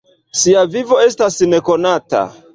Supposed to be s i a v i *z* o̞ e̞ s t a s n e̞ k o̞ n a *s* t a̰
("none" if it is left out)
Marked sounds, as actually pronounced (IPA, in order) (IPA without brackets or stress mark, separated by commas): v, none